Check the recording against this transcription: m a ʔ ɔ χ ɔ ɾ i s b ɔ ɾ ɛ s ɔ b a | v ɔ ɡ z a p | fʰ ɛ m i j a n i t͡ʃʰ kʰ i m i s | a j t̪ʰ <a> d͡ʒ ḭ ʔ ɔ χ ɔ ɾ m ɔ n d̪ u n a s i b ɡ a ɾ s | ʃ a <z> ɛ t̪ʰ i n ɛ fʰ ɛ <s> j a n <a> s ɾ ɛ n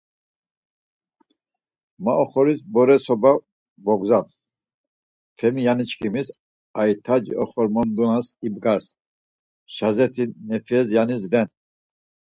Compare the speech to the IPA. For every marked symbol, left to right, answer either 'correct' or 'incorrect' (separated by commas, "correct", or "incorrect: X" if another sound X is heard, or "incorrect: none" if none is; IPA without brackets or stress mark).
correct, correct, incorrect: z, incorrect: i